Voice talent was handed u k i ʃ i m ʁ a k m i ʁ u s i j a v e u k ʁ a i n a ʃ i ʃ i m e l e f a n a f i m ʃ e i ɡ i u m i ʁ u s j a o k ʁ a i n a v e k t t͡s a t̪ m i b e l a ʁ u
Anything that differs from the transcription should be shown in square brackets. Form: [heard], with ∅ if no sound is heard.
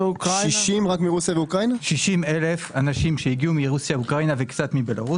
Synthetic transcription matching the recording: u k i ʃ i m ʁ a k m i ʁ u s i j a v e u k ʁ a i n a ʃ i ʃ i m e l e f a n a [ʃ] i m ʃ e i ɡ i u m i ʁ u s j a [u] k ʁ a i n a v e k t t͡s a t̪ m i b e l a ʁ u